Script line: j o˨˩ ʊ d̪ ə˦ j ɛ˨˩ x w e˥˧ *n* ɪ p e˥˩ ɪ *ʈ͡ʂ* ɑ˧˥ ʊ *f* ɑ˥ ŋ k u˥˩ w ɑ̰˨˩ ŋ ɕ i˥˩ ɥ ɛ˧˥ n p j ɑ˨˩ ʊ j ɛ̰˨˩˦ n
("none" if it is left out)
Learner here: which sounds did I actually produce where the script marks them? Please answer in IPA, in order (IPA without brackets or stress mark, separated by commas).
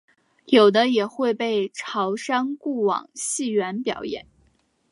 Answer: none, ʈ͡ʂʰ, ʂ